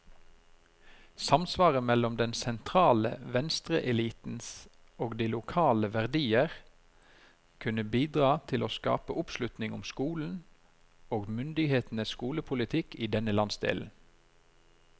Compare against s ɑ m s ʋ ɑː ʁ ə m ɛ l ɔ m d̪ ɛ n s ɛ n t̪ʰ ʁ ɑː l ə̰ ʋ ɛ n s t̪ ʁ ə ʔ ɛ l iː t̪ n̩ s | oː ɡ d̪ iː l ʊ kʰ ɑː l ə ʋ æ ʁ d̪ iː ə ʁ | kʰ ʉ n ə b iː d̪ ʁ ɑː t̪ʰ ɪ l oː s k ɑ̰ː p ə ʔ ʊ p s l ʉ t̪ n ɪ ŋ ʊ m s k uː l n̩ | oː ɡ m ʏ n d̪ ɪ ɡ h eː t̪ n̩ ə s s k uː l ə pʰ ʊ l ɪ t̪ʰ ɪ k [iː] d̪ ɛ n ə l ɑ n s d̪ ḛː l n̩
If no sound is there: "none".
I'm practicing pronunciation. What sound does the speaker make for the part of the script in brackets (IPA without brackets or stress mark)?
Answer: iː